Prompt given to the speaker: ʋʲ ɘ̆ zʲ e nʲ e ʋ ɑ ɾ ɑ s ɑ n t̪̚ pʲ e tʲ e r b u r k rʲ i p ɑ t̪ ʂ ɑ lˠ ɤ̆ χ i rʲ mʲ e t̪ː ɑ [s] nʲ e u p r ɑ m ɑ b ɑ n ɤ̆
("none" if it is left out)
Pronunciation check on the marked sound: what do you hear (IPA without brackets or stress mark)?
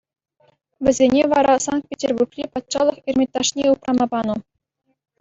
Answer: ʂ